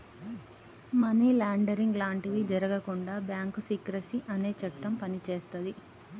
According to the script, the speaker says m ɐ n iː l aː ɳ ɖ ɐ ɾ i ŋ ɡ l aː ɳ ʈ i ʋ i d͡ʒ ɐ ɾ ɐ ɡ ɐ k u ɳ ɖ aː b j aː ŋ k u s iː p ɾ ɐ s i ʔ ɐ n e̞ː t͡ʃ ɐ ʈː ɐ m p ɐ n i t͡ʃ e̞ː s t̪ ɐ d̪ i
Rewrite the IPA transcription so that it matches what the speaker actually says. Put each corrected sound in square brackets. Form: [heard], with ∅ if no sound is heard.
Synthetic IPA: m ɐ n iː l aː ɳ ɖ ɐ ɾ i ŋ ɡ l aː ɳ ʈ i ʋ i d͡ʒ ɐ ɾ ɐ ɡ ɐ k u ɳ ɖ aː b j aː ŋ k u s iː [k] ɾ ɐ s i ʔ ɐ n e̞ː t͡ʃ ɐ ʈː ɐ m p ɐ n i t͡ʃ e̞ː s t̪ ɐ d̪ i